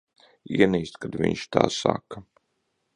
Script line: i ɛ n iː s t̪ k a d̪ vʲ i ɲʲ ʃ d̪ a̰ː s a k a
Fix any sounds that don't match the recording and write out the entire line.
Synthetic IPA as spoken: i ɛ n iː s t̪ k a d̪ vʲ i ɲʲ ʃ t̪ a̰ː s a k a

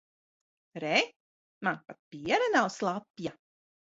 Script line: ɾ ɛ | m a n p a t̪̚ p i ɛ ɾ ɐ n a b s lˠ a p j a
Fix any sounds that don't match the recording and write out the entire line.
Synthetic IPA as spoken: ɾ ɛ | m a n p a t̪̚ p i ɛ ɾ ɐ n a w s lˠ a p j a

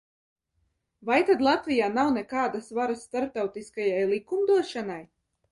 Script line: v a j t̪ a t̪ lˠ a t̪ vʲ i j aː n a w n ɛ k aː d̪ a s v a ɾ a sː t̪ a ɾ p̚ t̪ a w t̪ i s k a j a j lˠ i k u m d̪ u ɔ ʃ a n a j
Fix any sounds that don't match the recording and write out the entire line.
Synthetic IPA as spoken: v a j t̪ a d̪ lˠ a t̪ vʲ i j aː n a w n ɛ k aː d̪ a s v a ɾ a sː t̪ a ɾ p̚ t̪ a w t̪ i s k a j a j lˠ i k u m d̪ u ɔ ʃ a n a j

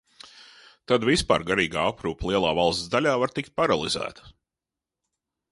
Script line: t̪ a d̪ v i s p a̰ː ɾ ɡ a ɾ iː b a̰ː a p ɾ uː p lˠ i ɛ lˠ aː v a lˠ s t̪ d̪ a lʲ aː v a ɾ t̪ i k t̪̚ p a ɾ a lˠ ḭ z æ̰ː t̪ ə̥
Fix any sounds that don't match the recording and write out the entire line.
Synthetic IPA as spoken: t̪ a d̪ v i s p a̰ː ɾ ɡ a ɾ iː ɡ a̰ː a p ɾ uː p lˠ i ɛ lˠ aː v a lˠ s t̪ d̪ a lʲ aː v a ɾ t̪ i k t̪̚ p a ɾ a lˠ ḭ z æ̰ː t̪ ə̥

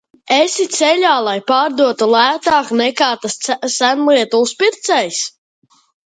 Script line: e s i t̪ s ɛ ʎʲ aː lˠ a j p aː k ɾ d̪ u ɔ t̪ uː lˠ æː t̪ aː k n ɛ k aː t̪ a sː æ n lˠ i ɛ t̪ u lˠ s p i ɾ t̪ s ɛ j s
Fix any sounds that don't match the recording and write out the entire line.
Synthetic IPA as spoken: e s i t̪ s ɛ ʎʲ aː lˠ a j p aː ɾ d̪ u ɔ t̪ u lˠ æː t̪ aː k n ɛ k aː t̪ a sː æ n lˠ i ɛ t̪ u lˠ s p i ɾ t̪ s ɛ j s

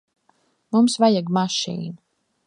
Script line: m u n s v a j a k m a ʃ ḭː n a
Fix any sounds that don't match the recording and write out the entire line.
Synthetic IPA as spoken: m u m s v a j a ɡ m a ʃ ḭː n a

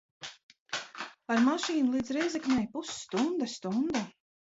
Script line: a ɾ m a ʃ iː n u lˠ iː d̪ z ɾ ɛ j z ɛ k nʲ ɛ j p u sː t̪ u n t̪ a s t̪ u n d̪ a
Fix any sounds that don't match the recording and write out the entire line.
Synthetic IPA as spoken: a ɾ m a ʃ iː n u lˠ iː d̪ z ɾ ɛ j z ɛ k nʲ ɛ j p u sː t̪ u n d̪ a s t̪ u n d̪ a

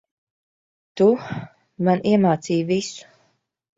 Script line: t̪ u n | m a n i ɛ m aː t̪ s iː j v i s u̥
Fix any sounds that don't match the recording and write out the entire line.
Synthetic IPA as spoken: t̪ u | m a n i ɛ m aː t̪ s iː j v i s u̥

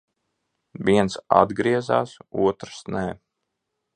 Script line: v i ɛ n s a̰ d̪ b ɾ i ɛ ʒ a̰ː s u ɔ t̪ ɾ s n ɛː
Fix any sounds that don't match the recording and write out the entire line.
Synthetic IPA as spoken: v i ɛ n s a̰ d̪ ɡ ɾ i ɛ z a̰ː s u ɔ t̪ ɾ s n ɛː

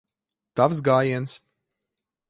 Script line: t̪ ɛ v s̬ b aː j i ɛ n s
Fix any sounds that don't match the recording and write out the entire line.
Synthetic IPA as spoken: t̪ a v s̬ ɡ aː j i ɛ n s

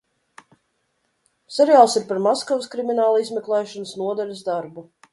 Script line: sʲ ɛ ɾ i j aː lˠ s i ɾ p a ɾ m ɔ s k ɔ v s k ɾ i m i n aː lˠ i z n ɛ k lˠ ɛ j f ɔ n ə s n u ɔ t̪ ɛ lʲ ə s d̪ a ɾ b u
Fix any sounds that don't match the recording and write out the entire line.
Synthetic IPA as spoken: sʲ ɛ ɾ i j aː lˠ s i ɾ p a ɾ m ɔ s k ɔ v s k ɾ i m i n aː lˠ i z m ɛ k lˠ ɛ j ʃ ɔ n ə s n u ɔ d̪ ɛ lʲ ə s d̪ a ɾ b u

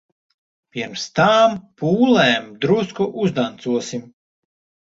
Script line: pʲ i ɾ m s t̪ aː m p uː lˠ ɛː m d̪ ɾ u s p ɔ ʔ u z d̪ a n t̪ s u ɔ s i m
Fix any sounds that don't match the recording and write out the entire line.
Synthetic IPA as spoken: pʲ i ɾ m s t̪ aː m p uː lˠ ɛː m d̪ ɾ u s k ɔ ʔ u z d̪ a n t̪ s u ɔ s i m

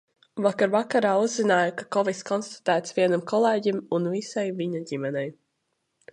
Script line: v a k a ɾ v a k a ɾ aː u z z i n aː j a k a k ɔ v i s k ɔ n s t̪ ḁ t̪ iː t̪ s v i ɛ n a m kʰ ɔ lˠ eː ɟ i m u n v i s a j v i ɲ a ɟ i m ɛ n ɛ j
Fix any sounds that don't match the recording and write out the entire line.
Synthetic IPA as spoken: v a k a ɾ v a k a ɾ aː u z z i n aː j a k a k ɔ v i s k ɔ n s t̪ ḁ t̪ æː t̪ s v i ɛ n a m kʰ ɔ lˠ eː ɟ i m u n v i s a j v i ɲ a ɟ i m ɛ n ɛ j

